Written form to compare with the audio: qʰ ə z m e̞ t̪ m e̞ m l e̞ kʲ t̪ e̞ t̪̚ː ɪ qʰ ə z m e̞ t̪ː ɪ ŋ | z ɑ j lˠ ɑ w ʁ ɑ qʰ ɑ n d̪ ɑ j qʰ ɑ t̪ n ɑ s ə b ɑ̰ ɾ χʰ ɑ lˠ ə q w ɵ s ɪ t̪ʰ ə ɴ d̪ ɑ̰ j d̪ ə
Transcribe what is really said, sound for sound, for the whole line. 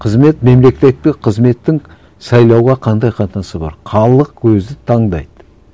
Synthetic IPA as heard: qʰ ə z m e̞ t̪ m e̞ m l e̞ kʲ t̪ e̞ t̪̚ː ɪ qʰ ə z m e̞ t̪ː ɪ ŋ | s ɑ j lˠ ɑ w ʁ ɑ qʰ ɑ n d̪ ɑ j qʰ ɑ t̪ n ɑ s ə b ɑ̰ ɾ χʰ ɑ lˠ ə q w ɵ z ɪ t̪ʰ ɑ ɴ d̪ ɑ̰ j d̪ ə